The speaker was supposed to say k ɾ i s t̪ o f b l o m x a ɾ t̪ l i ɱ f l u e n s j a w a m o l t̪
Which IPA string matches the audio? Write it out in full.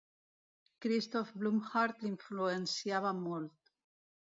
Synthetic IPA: k ɾ i s t̪ o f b l u m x a ɾ t̪ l i ɱ f l u e n s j a β a m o l t̪